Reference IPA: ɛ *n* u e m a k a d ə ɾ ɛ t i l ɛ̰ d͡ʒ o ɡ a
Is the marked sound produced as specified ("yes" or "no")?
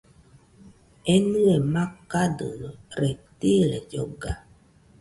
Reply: yes